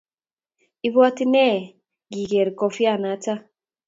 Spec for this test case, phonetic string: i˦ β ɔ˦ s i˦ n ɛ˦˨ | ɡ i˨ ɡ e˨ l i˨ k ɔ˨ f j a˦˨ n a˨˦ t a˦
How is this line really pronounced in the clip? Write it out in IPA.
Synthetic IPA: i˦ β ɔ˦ t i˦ n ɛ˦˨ | ɡ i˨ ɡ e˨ ɾ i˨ k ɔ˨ f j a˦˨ n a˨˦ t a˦